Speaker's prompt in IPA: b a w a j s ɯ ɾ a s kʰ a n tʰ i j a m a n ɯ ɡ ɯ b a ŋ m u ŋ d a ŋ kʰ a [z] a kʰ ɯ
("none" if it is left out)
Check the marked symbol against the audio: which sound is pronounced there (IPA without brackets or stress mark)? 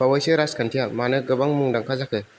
z